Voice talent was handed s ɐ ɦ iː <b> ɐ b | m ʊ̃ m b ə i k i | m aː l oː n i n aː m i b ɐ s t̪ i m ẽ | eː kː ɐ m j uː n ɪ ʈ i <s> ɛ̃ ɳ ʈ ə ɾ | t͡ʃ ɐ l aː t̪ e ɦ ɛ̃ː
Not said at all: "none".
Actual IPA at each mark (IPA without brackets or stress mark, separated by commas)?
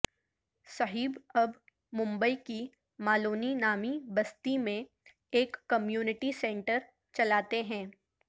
b, s